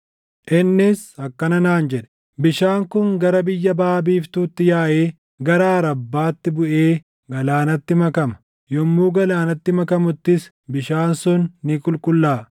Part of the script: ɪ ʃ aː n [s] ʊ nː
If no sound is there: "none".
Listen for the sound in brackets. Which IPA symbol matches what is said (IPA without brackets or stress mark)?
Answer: s